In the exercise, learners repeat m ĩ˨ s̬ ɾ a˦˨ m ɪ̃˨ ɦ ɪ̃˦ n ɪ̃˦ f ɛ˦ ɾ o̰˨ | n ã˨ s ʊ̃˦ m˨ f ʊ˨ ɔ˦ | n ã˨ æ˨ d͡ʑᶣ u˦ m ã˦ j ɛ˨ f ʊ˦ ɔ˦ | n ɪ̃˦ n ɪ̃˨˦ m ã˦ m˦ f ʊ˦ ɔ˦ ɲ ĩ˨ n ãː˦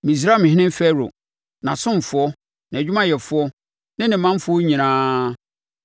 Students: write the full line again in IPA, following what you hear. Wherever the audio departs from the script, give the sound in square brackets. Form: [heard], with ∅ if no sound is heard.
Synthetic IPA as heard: m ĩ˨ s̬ ɾ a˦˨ m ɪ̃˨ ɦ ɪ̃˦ n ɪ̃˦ f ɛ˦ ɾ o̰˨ | n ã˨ s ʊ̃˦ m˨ f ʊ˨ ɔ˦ | n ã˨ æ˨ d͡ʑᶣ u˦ m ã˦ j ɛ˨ f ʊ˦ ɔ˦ | n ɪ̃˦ n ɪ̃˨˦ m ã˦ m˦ f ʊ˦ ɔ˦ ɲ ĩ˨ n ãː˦

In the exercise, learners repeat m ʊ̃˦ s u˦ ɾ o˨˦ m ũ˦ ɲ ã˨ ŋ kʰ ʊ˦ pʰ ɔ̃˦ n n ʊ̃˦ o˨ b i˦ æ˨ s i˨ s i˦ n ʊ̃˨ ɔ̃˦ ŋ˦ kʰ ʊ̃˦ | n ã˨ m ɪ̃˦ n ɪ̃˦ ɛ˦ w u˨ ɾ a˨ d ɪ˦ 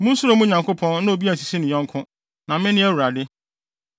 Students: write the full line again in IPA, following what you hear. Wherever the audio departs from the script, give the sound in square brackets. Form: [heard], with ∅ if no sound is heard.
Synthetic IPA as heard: m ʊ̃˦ s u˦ ɾ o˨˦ m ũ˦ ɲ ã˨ ŋ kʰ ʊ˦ pʰ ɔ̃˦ n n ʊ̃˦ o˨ b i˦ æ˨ s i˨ s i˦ n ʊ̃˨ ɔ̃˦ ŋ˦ kʰ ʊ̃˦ | n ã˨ m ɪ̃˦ n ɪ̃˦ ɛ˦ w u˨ ɾ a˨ d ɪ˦

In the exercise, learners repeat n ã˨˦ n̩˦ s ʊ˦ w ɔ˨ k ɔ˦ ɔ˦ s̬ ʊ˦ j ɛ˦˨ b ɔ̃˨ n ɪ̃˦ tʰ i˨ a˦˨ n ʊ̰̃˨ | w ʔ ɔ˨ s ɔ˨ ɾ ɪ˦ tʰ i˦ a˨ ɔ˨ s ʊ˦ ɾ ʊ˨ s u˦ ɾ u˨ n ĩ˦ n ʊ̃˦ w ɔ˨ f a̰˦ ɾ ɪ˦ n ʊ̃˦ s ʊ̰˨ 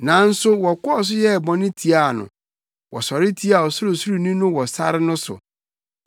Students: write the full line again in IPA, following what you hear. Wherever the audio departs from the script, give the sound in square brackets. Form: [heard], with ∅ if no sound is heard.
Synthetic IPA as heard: n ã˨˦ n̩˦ s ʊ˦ w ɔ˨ k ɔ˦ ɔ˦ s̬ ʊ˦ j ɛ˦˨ b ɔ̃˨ n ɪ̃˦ tʰ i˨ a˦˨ n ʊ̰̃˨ | w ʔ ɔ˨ s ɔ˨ ɾ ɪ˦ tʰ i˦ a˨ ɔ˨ s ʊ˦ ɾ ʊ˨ s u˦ ɾ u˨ n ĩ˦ n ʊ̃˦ w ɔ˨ [s] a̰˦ ɾ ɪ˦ n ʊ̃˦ s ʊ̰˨

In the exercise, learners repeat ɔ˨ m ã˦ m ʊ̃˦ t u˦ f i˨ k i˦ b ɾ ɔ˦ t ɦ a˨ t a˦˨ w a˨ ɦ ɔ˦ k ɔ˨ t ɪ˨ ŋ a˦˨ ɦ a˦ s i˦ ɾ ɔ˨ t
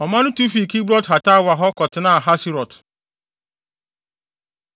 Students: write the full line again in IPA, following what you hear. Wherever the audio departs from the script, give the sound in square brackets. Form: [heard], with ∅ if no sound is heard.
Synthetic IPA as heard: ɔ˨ m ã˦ [n] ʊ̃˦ t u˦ f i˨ k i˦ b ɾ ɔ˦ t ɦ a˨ t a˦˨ w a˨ ɦ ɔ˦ k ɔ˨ t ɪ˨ [n] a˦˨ ɦ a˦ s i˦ ɾ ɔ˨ t

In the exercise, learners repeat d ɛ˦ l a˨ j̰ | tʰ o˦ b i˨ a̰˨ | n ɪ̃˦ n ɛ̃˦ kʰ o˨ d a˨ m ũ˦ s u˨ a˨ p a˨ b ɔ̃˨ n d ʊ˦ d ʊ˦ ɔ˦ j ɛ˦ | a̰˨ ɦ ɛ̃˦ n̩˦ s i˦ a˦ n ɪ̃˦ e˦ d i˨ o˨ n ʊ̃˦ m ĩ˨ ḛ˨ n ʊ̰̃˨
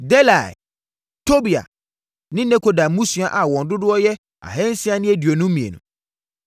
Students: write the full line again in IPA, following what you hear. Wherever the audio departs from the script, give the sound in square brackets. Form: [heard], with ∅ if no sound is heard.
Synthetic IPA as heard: d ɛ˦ l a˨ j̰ | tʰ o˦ b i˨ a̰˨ | n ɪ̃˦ n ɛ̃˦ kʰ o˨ d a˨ m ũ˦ s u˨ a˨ [ʔ] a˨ [w] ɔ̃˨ n d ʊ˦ d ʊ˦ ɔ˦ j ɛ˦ | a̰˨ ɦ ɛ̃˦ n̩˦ s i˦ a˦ n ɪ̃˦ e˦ d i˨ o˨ n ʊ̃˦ m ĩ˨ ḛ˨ n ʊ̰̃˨

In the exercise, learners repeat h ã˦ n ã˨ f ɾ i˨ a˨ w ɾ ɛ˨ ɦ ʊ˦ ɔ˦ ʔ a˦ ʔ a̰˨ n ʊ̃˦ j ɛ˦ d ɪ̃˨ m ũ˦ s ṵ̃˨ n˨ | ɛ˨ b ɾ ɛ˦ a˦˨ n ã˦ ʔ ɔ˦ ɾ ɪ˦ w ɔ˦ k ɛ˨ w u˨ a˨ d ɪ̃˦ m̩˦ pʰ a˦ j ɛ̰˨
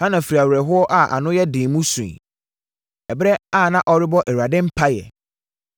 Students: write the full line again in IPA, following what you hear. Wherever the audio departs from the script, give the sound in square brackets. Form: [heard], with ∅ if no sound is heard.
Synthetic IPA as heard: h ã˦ n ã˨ f ɾ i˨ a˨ w ɾ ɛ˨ ɦ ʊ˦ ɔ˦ ʔ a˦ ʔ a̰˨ n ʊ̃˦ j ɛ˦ d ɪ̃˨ m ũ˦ s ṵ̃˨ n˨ | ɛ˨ b ɾ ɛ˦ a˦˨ n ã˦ ʔ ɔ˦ ɾ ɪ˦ [b] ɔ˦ [ʔ] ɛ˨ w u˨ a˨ d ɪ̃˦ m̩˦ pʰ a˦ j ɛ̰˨

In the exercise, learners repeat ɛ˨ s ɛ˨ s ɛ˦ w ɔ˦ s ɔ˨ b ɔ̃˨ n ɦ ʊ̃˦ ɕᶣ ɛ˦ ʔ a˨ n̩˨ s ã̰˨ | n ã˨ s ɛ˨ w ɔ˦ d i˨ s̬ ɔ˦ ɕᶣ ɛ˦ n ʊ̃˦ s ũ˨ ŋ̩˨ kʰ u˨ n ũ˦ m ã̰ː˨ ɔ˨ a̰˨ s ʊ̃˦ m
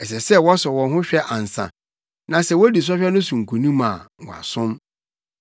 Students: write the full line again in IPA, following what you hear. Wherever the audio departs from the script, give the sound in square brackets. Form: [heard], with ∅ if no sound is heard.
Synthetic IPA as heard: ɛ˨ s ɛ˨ s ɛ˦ w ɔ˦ s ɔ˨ [w] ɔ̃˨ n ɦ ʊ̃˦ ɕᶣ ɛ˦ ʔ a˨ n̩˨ s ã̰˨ | n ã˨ s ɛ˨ w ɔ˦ d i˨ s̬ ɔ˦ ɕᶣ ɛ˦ n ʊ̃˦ s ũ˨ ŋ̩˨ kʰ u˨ n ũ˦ m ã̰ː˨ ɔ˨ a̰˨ s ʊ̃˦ m

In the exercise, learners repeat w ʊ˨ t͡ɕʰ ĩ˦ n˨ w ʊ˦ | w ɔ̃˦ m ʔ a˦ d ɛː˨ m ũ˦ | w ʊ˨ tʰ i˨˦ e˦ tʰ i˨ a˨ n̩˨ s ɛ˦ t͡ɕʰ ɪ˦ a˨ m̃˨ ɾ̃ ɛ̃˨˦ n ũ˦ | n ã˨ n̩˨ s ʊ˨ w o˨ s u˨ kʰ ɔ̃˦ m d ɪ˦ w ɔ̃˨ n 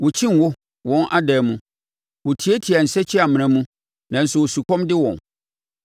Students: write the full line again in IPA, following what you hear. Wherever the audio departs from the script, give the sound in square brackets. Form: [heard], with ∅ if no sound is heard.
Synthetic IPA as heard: w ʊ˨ t͡ɕʰ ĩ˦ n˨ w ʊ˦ | w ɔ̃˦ [n] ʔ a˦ d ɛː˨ m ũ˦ | w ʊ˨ tʰ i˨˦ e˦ tʰ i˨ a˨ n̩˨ s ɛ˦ t͡ɕʰ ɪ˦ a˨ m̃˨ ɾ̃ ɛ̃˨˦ [m] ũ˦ | n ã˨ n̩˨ s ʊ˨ w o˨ s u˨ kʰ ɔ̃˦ m d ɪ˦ w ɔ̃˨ n

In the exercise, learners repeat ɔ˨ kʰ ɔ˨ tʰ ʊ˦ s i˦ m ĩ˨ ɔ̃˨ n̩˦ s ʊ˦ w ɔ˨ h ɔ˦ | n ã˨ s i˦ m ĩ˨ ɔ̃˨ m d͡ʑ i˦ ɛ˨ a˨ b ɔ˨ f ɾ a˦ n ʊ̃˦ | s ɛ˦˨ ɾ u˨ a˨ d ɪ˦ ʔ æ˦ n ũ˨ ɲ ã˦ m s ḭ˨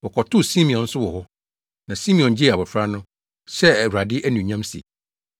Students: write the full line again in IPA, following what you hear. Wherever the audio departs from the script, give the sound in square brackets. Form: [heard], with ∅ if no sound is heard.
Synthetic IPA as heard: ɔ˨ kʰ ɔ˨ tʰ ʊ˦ s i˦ m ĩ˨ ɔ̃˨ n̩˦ s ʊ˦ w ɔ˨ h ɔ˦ | n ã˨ s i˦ m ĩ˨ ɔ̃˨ [n] d͡ʑ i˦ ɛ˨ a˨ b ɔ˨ f ɾ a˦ n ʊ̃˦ | s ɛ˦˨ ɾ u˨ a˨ d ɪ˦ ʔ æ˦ n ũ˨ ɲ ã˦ m s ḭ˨

